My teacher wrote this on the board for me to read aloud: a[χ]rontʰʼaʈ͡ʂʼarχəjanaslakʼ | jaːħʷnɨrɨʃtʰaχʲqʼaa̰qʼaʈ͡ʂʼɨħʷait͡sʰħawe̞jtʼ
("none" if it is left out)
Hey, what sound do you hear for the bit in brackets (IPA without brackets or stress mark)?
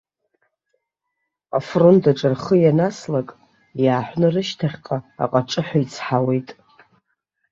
f